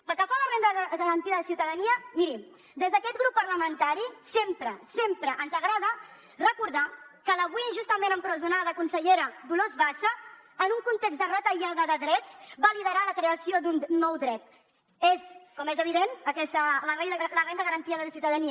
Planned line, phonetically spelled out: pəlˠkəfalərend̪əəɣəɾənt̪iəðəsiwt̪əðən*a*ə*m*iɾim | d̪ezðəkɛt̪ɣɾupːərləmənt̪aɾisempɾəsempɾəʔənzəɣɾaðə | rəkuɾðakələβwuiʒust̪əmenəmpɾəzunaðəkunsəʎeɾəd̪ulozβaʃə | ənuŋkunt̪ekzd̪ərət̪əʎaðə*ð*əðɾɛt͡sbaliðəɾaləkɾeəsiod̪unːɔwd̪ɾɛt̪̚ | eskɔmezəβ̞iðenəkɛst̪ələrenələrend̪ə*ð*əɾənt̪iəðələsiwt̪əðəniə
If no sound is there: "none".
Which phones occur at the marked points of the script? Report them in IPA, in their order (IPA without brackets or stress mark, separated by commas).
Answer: i, m, ð, ɣ